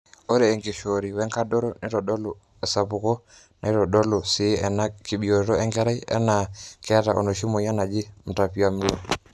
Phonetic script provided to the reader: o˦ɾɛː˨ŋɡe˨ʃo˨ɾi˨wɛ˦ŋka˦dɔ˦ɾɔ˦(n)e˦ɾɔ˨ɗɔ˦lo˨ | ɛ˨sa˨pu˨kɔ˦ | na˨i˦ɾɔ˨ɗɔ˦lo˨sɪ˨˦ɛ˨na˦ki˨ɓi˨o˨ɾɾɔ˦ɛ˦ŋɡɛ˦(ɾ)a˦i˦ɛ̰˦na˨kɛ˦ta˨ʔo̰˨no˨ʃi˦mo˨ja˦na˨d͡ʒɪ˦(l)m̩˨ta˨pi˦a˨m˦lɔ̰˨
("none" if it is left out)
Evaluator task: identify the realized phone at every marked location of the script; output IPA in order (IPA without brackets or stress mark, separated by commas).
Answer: n, ɾ, none